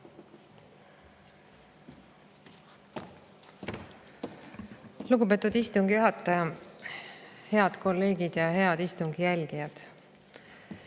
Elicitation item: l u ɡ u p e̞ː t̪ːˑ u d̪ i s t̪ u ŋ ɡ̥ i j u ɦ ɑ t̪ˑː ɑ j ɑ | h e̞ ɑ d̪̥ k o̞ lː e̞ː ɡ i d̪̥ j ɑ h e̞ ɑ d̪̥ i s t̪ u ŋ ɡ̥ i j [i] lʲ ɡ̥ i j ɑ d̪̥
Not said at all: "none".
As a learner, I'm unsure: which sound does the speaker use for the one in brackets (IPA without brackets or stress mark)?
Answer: æ